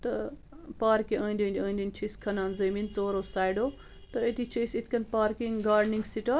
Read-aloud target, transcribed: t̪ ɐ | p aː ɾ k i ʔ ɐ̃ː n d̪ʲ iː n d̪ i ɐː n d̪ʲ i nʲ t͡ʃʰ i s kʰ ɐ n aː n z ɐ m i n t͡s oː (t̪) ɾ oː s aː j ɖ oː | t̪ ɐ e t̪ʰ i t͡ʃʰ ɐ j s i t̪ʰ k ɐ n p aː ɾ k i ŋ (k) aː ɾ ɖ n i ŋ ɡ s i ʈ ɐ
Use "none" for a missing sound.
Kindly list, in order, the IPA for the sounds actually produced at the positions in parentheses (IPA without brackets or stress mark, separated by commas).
none, ɡ